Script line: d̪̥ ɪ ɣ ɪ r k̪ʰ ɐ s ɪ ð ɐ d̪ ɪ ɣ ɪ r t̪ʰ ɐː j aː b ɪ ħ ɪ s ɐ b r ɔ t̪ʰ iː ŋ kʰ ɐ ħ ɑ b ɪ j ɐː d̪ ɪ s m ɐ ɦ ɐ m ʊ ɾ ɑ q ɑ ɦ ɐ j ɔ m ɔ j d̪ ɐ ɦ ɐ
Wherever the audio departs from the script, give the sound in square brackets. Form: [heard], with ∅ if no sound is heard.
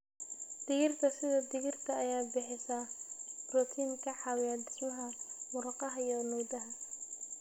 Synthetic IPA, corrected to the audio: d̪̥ ɪ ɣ ɪ r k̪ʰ ɐ s ɪ ð ɐ d̪ ɪ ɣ ɪ r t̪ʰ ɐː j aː b ɪ ħ ɪ s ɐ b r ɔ t̪ʰ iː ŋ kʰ ɐ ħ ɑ [w] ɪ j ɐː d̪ ɪ s m ɐ ɦ ɐ m ʊ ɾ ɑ q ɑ ɦ ɐ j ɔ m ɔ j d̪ ɐ ɦ ɐ